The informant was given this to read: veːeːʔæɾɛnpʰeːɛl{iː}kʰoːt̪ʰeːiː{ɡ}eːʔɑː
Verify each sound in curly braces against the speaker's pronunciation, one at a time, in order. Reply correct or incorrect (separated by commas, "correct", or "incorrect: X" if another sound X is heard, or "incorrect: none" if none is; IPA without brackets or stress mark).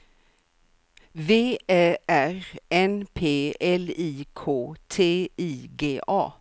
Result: correct, correct